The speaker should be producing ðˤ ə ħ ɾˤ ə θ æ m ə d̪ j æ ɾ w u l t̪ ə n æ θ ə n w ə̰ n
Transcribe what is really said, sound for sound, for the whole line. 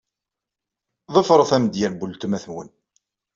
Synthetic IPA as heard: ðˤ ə f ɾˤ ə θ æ m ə d̪ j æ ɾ b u l t̪ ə m æ θ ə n w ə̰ n